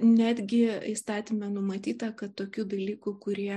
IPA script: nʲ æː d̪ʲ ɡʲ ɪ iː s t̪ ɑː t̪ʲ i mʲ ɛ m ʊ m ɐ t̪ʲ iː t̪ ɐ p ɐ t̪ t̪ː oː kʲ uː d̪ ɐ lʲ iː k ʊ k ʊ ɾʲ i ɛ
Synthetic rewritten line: nʲ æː d̪ʲ ɡʲ ɪ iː s t̪ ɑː t̪ʲ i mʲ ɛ n ʊ m ɐ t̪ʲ iː t̪ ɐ k ɐ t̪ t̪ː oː kʲ uː d̪ ɐ lʲ iː k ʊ k ʊ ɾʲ i ɛ